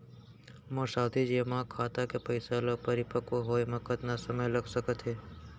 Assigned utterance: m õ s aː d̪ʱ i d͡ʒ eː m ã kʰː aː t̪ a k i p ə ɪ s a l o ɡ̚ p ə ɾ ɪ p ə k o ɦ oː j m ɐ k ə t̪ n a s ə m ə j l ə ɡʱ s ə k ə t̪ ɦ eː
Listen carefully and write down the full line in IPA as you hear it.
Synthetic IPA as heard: m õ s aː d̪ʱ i d͡ʒ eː m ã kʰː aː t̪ a k e p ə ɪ s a l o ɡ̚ p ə ɾ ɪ p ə k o ɦ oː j m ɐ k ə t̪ n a s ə m ə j l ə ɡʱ s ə k ə t̪ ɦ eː